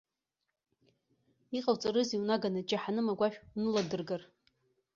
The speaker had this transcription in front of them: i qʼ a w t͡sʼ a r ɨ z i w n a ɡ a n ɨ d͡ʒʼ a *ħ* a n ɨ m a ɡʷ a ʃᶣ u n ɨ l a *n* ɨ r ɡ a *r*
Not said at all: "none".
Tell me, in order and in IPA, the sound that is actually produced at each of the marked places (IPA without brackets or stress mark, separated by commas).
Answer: ħ, d, r